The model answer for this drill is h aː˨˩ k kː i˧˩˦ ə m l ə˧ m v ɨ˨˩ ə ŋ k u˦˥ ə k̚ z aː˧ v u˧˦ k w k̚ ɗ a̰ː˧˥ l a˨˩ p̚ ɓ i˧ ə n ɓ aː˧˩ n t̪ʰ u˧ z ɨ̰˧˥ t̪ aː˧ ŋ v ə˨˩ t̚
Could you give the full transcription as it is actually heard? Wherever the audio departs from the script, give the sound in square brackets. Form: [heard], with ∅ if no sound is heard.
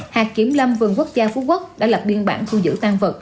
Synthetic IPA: h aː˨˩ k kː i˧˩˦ ə m l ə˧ m v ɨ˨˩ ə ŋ k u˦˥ ə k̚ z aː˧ [f] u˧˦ k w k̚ ɗ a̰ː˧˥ l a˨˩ p̚ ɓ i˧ ə n ɓ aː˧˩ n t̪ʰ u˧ z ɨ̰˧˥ t̪ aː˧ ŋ v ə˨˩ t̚